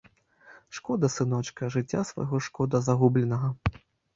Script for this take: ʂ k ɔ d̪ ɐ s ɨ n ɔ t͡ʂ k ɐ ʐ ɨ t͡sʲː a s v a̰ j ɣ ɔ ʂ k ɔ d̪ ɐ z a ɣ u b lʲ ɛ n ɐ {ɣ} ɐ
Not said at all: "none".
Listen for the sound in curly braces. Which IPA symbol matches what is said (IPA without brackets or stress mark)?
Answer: ɣ